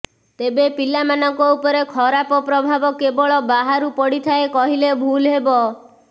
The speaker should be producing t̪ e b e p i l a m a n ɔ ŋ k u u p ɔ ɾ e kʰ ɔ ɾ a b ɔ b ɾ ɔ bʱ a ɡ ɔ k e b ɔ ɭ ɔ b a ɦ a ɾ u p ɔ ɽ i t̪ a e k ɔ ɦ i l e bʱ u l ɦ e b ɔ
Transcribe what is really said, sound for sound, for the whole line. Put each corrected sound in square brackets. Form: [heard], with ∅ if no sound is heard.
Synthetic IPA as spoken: t̪ e b e p i l a m a n ɔ ŋ k [ɔ] u p ɔ ɾ e kʰ ɔ ɾ a [p] ɔ [p] ɾ ɔ bʱ a [b] ɔ k e b ɔ ɭ ɔ b a ɦ a ɾ u p ɔ ɽ i [t̪ʰ] a e k ɔ ɦ i l e bʱ u l ɦ e b ɔ